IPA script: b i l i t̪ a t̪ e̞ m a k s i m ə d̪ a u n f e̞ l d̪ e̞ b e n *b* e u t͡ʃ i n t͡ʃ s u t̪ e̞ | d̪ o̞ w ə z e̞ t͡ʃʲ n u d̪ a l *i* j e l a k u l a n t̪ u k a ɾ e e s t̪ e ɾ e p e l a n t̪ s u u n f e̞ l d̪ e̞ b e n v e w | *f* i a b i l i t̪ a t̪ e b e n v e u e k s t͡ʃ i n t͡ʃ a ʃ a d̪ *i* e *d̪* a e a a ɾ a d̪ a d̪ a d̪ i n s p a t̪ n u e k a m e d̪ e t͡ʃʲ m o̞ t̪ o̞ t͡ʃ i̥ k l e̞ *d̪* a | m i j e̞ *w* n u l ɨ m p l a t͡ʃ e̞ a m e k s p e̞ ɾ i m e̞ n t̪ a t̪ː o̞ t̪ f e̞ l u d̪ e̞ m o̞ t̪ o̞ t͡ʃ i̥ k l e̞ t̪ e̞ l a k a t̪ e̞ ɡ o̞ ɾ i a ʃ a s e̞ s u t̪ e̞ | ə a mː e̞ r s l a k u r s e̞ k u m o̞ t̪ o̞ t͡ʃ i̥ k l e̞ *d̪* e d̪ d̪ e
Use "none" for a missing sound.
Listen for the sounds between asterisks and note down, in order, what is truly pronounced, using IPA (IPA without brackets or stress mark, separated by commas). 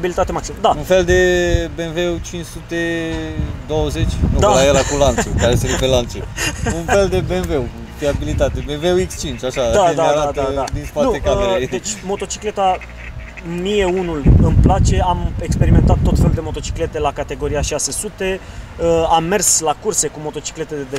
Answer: v, a, f, a, d̪, t̪, u, t̪